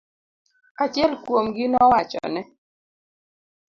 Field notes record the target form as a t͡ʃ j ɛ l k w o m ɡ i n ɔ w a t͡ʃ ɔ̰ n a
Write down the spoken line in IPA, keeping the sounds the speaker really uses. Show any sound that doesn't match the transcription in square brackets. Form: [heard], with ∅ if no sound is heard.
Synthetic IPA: a t͡ʃ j ɛ l k w o m ɡ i n ɔ w a t͡ʃ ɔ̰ n [ɛ]